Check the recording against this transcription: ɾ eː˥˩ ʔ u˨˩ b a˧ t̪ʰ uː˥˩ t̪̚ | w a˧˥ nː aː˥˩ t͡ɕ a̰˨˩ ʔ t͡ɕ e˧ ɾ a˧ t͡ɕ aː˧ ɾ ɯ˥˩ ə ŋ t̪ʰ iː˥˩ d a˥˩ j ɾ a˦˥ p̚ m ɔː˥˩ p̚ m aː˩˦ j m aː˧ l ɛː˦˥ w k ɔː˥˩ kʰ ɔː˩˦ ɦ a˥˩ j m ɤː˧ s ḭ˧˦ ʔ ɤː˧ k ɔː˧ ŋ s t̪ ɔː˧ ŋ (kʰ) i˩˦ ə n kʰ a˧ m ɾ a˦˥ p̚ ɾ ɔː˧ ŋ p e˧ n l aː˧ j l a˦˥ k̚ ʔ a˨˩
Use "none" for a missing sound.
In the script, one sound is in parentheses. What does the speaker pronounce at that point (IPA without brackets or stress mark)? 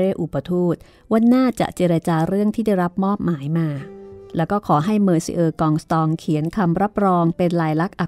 kʰ